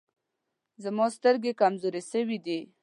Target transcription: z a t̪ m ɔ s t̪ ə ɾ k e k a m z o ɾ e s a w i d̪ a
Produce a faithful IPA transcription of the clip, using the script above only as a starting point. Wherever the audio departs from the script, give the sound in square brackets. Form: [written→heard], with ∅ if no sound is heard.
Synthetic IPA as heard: z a [t̪→∅] m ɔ s t̪ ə ɾ [k→ɡ] e k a m z o ɾ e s [a→ə] w i d̪ [a→i]